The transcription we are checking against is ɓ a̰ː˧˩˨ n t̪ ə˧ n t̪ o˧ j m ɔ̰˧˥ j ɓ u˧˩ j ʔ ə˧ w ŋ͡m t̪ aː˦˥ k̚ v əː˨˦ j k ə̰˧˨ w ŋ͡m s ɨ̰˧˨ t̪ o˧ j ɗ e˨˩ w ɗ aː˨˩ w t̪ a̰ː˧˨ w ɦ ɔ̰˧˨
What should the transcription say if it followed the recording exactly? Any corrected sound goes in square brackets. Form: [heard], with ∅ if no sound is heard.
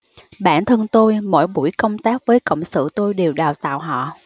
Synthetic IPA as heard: ɓ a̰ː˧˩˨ n [t̪ʰ] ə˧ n t̪ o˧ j m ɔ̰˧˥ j ɓ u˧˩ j [k] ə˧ w ŋ͡m t̪ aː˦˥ k̚ v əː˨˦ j k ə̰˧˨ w ŋ͡m s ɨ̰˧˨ t̪ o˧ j ɗ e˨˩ w ɗ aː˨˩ w t̪ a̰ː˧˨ w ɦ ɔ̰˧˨